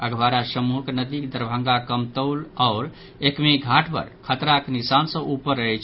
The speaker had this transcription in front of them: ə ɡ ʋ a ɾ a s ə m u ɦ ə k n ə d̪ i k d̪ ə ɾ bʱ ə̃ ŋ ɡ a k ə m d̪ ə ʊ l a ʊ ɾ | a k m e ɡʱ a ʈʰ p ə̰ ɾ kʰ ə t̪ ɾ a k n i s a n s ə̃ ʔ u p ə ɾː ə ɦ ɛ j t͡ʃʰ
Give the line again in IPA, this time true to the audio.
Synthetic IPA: ə ɡ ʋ a ɾ a s ə m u ɦ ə k n ə d̪ i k d̪ ə ɾ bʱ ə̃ ŋ ɡ a k ə m t̪ ə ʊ l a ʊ ɾ | e k m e ɡʱ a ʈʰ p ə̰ ɾ kʰ ə t̪ ɾ a k n i s a n s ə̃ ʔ u p ə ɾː ə ɦ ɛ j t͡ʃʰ